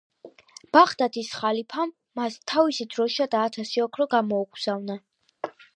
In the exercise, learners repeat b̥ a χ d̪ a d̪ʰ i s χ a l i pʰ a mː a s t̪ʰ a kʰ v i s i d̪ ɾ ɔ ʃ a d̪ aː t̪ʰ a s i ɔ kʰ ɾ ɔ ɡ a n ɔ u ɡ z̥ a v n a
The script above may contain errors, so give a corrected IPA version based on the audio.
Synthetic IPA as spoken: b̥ a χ d̪ a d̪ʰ i s χ a l i pʰ a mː a s t̪ʰ a v i s i d̪ ɾ ɔ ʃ a d̪ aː t̪ʰ a s i ɔ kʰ ɾ ɔ ɡ a m ɔ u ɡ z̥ a v n a